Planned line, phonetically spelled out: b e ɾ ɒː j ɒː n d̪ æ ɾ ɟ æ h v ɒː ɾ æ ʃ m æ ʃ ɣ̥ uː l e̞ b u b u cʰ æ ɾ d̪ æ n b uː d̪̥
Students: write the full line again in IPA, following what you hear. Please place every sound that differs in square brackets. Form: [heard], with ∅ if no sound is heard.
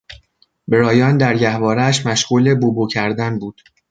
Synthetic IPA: b e ɾ ɒː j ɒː n d̪ æ ɾ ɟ æ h v ɒː ɾ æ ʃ m æ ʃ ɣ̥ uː l e̞ b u b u cʰ æ ɾ d̪ æ n b uː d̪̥